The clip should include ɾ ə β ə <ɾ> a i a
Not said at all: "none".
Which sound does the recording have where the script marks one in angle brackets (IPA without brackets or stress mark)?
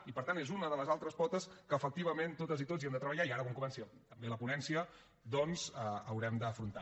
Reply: ʎ